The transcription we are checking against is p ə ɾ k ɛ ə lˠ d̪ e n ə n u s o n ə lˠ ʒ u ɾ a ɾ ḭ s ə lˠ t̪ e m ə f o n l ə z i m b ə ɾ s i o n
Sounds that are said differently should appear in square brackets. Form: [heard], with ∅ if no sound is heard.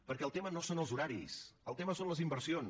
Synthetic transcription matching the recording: p ə ɾ k ɛ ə lˠ [t̪] e [m] ə n [o] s o n ə lˠ [z] u ɾ a ɾ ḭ s ə lˠ t̪ e m ə [s] o n l ə z i m b ə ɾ s i o n